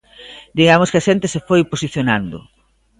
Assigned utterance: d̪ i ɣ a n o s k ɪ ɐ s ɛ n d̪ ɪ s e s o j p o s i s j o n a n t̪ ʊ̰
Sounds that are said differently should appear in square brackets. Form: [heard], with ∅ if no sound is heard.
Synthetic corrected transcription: d̪ i ɣ a [m] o s k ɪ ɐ [ʃ] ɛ n [t̪] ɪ s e [f] o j p o s i [θ] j o n a n [d̪] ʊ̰